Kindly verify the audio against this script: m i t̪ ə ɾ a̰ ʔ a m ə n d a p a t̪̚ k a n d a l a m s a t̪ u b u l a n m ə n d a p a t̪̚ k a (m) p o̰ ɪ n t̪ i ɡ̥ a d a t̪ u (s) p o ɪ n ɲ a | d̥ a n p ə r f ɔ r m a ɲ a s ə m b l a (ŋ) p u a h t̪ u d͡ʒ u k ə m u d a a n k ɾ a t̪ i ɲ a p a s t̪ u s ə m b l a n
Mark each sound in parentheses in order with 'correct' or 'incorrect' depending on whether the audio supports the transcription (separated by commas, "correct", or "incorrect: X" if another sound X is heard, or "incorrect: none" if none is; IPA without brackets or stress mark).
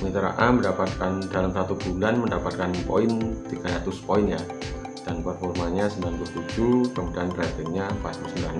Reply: incorrect: n, correct, incorrect: n